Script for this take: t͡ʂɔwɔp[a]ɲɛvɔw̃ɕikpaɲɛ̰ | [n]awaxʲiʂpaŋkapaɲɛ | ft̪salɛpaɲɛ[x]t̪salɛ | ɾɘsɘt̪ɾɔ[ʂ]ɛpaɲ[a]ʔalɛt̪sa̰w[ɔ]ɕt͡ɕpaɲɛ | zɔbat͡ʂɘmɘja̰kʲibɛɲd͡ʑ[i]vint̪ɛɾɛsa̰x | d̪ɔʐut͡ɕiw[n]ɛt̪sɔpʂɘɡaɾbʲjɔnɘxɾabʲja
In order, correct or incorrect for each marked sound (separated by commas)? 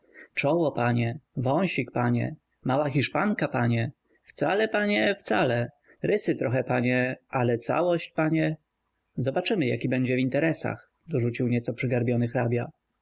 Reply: correct, incorrect, incorrect, incorrect, incorrect, correct, incorrect, incorrect